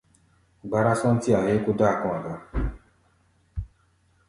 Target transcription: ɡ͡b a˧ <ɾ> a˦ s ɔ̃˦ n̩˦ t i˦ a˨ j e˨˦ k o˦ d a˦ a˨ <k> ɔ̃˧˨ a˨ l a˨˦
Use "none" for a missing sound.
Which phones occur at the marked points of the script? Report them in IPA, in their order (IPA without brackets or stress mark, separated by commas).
ɾ, k